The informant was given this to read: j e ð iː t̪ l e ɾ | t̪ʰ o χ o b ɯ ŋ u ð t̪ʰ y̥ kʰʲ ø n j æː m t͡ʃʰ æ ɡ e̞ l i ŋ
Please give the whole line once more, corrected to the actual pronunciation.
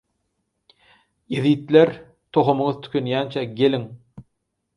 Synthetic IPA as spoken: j e ð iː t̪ l e ɾ | t̪ʰ o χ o m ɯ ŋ ɯ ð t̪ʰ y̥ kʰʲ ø n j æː n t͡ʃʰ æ ɡ e̞ l i ŋ

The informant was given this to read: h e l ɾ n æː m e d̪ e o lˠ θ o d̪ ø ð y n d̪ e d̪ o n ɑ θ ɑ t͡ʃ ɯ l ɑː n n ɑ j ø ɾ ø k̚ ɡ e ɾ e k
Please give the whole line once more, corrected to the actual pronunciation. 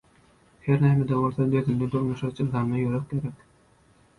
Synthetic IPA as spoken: h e ɾ n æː m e d̪ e o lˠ θ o d̪ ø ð y n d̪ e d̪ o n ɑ ʃ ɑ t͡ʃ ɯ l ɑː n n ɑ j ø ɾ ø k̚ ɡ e ɾ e k

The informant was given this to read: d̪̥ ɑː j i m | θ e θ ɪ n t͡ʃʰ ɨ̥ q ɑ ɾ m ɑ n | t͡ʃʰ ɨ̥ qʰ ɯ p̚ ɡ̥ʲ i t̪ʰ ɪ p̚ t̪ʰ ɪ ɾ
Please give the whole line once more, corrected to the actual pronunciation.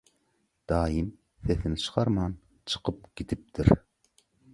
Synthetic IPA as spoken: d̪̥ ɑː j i m | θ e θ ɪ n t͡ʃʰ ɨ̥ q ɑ ɾ m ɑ n | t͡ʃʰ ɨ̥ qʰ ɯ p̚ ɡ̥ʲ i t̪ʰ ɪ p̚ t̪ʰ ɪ ɾ

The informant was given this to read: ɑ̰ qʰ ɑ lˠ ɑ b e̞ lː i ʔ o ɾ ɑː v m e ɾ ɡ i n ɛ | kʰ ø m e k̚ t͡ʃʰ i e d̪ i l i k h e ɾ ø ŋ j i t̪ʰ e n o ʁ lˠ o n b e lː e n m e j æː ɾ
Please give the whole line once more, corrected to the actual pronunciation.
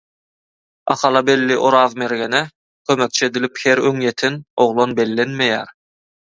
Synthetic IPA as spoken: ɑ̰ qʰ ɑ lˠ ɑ b e̞ lː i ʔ o ɾ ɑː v m e ɾ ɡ e n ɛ | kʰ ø m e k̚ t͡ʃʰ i e d̪ i l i p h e ɾ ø ŋ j e t̪ʰ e n o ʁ lˠ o n b e lː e n m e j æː ɾ

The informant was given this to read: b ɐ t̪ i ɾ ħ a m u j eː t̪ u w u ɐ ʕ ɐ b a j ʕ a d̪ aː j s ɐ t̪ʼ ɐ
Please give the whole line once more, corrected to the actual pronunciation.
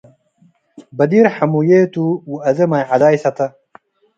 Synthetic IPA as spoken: b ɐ d̪ i ɾ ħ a m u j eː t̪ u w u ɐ z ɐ m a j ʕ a d̪ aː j s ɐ t̪ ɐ

